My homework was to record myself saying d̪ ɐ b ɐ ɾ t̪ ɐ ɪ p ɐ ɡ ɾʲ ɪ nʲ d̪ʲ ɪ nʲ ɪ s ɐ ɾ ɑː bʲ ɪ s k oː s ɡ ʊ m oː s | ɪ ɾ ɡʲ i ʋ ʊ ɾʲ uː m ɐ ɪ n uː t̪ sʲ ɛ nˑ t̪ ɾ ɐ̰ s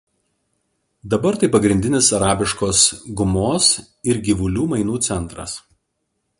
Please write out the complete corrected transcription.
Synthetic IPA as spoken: d̪ ɐ b ɐ ɾ t̪ ɐ ɪ p ɐ ɡ ɾʲ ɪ nʲ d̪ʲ ɪ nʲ ɪ s ɐ ɾ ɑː bʲ ɪ ʃ k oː s ɡ ʊ m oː s | ɪ ɾ ɡʲ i ʋ ʊ lʲ uː m ɐ ɪ n uː t̪ sʲ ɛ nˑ t̪ ɾ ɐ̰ s